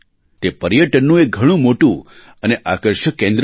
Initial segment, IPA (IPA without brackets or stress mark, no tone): t̪